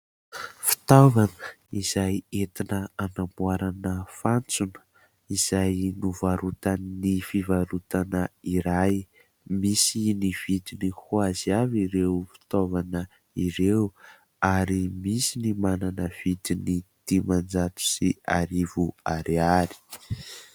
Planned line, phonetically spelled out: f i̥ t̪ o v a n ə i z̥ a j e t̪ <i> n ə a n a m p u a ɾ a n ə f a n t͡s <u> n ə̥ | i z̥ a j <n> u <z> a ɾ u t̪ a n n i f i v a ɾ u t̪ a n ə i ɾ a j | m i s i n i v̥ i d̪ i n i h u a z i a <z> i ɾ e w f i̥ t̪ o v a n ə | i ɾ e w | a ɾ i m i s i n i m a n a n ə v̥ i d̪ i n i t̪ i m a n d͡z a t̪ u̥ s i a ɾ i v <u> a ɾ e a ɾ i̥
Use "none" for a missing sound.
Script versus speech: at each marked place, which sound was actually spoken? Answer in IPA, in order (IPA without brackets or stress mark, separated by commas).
i, u, n, v, v, u